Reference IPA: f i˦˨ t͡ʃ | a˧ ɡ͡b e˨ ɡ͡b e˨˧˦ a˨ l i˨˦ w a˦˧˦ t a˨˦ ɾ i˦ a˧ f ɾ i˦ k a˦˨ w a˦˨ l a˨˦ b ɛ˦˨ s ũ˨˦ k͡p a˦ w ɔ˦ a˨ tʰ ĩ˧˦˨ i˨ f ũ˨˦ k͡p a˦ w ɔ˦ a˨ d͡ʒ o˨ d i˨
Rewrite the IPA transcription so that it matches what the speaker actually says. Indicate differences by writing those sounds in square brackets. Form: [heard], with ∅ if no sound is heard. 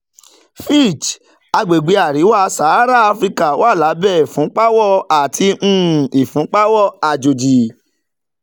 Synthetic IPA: f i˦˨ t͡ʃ | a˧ ɡ͡b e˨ ɡ͡b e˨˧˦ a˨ [ɾ] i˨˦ w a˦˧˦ [s] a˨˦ ɾ [a˦] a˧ f ɾ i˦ k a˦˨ w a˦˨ l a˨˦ b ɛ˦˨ [f] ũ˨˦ k͡p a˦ w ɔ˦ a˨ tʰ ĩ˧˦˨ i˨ f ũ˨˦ k͡p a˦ w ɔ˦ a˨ d͡ʒ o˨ [d͡ʒ] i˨